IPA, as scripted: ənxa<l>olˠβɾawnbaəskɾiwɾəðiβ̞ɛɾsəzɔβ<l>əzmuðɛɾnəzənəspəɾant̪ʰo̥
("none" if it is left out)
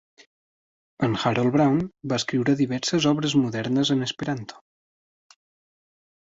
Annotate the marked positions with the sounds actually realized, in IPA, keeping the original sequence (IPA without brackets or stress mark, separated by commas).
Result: ɾ, ɾ